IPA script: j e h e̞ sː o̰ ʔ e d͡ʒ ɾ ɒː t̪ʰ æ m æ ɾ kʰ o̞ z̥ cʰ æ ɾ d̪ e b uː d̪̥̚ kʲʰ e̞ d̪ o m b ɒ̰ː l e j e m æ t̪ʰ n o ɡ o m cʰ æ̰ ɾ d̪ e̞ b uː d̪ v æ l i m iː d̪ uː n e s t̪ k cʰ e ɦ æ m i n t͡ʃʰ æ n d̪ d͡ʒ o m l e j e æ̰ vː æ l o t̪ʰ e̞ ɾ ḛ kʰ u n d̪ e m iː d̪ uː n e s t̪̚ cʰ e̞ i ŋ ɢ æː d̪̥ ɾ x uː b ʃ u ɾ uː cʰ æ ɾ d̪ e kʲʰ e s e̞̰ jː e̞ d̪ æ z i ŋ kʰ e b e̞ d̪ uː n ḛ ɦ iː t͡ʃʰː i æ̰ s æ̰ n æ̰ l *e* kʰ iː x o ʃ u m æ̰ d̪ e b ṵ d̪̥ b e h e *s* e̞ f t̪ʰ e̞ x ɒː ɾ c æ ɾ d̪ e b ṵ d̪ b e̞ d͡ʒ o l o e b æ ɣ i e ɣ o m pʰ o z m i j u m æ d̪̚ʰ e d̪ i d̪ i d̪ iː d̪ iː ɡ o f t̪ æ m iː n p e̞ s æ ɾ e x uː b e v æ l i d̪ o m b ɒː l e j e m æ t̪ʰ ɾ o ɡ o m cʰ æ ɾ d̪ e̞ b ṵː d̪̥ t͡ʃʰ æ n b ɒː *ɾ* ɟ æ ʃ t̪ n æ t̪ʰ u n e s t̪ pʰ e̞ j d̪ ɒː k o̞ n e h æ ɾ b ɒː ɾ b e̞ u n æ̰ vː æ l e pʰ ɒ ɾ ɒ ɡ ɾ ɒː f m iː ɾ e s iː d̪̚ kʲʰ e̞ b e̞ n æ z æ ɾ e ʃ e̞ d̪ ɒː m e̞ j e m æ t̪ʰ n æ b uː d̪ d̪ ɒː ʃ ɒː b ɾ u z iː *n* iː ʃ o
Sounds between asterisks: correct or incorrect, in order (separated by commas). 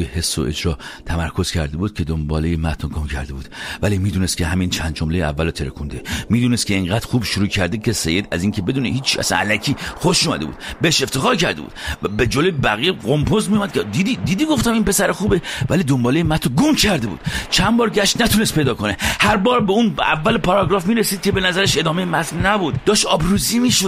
incorrect, incorrect, correct, incorrect